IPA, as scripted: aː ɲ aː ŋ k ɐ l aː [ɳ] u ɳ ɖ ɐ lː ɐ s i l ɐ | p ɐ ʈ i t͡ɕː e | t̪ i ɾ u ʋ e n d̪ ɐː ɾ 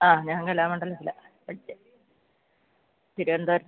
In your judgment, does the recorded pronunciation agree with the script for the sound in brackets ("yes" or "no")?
no